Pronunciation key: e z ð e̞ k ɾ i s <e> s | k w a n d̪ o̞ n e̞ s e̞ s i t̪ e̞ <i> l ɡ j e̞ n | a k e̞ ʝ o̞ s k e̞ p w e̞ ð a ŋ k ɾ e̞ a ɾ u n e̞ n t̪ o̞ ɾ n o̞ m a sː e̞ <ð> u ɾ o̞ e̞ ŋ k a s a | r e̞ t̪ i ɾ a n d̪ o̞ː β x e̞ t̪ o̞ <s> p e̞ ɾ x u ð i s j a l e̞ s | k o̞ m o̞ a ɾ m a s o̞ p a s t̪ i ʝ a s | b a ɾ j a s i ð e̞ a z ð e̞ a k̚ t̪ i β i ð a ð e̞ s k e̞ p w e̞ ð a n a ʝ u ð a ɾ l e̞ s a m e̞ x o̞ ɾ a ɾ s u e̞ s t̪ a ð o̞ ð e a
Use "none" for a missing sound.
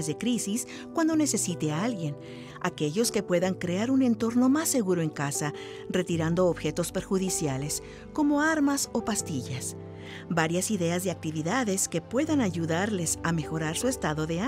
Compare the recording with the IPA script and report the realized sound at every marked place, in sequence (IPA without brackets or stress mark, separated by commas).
i, a, ɣ, s